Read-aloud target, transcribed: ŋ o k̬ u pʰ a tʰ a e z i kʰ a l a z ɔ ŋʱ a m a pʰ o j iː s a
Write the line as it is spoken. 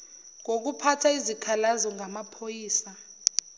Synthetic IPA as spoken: ŋ o k̬ u pʰ a tʰ a i z i kʰ a l a z ɔ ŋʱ a m a pʰ o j iː s a